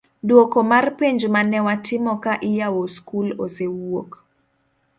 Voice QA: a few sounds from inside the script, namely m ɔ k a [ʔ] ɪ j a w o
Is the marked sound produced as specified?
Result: yes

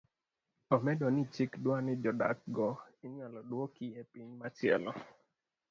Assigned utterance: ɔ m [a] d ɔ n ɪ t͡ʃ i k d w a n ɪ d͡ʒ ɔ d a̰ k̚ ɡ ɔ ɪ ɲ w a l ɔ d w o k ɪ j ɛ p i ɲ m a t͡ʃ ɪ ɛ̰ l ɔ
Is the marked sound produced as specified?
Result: no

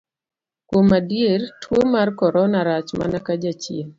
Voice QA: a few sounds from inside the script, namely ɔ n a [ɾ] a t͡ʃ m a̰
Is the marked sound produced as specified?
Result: yes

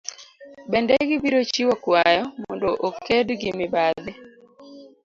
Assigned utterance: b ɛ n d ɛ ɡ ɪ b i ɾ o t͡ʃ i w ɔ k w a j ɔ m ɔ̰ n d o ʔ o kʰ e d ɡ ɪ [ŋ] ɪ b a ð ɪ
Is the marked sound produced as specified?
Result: no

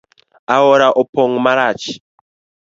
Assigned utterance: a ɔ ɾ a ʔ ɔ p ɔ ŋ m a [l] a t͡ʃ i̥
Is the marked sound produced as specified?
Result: no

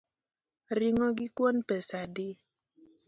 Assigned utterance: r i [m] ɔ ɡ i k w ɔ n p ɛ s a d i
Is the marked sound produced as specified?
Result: no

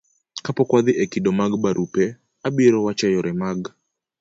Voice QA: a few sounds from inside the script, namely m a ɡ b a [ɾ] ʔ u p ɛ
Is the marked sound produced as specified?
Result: yes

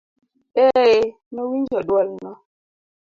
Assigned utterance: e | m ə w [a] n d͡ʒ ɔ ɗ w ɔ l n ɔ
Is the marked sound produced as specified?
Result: no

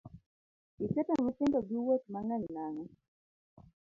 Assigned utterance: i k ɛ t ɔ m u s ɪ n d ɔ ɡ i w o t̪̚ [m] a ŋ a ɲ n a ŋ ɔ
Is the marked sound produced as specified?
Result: yes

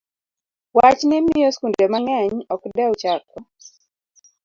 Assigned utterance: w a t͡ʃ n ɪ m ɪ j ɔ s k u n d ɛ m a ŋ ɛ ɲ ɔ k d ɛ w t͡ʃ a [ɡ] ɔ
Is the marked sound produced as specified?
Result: no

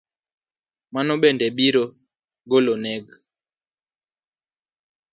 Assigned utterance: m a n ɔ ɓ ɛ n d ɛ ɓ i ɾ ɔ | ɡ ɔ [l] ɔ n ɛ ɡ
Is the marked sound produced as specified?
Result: yes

